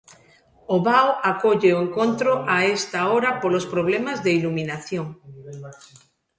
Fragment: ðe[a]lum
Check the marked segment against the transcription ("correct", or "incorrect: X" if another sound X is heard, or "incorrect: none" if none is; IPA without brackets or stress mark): incorrect: i